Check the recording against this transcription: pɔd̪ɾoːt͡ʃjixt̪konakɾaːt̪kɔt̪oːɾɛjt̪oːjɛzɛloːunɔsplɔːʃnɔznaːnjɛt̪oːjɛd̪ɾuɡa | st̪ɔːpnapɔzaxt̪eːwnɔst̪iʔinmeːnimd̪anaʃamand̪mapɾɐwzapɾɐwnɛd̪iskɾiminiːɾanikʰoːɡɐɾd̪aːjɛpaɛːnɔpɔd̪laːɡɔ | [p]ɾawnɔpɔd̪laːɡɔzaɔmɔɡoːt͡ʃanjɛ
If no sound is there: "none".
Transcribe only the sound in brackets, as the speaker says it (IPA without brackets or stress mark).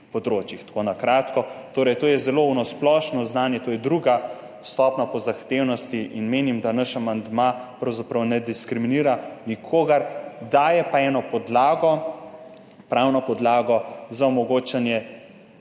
p